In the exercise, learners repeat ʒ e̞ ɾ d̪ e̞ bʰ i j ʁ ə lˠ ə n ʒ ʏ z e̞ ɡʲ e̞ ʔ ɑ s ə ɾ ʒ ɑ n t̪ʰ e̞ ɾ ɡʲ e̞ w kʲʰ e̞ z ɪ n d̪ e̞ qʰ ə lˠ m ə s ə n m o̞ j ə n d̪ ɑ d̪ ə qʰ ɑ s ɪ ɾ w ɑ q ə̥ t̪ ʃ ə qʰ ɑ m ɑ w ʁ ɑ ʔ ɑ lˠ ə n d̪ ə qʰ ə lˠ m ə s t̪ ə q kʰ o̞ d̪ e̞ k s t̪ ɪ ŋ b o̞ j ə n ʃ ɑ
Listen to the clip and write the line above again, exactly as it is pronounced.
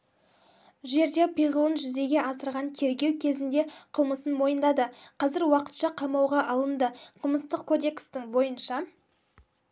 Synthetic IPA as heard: ʒ e̞ ɾ d̪ e̞ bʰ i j ʁ ə lˠ ə n ʒ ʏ z e̞ ɡʲ e̞ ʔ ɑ s ə ɾ ʁ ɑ n t̪ʰ e̞ ɾ ɡʲ e̞ w kʲʰ e̞ z ɪ n d̪ e̞ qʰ ə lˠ m ə s ə n m o̞ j ə n d̪ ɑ d̪ ə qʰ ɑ z ɪ ɾ w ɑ q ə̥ t̪ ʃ ɑ qʰ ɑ m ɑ w ʁ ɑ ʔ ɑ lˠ ə n d̪ ə qʰ ə lˠ m ə s t̪ ə q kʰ o̞ d̪ e̞ k s t̪ ɪ ŋ b o̞ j ə n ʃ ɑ